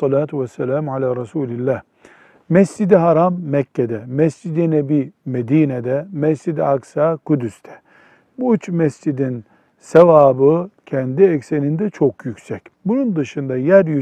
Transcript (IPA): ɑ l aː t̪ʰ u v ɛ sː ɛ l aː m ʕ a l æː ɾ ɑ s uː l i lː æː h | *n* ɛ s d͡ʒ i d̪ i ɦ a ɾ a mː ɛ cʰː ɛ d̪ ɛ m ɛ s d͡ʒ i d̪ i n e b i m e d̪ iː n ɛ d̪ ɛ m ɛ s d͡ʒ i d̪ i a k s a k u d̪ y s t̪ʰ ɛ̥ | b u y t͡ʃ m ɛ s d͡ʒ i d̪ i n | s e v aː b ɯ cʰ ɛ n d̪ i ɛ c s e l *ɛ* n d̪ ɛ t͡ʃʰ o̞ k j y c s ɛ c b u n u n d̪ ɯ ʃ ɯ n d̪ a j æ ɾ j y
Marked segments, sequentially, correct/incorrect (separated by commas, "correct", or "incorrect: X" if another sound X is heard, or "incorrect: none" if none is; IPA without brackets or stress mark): incorrect: m, incorrect: i